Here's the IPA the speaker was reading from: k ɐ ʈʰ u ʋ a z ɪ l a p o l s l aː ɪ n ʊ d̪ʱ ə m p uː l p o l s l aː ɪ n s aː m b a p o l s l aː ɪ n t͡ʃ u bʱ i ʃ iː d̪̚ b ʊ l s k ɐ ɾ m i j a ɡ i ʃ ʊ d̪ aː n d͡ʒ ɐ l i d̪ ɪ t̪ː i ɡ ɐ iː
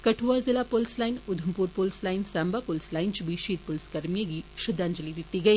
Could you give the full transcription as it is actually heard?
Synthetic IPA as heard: k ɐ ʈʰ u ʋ a z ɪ l a p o l s l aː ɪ n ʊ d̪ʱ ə m p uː ɾ p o l s l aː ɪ n s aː m b a p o l s l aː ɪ n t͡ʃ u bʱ i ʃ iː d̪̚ p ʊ l s k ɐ ɾ m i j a ɡ i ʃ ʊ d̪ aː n d͡ʒ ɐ l i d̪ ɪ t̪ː i ɡ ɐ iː